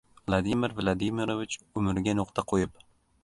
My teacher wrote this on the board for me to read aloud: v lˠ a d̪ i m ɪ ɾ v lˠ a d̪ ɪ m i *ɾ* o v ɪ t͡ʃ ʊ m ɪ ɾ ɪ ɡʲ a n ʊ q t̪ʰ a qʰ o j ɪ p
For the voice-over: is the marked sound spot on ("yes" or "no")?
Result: yes